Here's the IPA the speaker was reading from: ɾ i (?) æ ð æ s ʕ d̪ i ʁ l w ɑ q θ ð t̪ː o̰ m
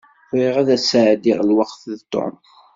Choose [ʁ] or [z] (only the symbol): ʁ